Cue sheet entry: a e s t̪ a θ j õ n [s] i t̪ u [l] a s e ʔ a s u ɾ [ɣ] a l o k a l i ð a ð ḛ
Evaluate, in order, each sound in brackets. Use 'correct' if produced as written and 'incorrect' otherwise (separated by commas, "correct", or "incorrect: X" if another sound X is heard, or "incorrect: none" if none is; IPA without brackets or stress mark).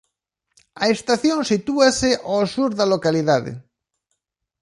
correct, incorrect: none, incorrect: ð